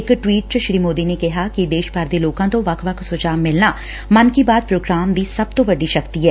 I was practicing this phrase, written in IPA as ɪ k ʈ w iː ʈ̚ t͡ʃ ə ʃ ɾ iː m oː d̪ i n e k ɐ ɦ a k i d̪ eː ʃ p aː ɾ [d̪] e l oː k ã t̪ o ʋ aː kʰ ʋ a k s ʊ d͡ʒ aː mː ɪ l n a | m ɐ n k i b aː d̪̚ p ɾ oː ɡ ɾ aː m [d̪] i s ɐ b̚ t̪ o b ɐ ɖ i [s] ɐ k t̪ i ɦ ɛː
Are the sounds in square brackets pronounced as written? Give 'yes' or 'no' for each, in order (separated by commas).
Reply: yes, yes, no